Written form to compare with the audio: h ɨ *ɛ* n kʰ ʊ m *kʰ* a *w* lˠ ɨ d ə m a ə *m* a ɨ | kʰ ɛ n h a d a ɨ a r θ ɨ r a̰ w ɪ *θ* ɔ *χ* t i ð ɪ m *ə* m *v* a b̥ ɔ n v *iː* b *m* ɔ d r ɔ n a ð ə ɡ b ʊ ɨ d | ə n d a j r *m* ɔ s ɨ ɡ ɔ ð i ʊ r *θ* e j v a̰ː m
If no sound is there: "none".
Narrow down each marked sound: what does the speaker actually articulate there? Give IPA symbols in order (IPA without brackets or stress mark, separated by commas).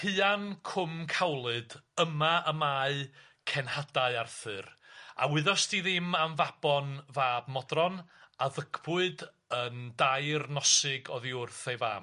a, kʰ, w, m, ð, s, a, v, aː, m, n, θ